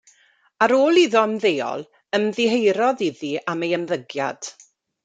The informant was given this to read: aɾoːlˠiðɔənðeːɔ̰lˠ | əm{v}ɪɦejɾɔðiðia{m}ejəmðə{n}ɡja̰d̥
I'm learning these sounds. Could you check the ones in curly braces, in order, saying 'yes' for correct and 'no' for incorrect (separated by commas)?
no, yes, no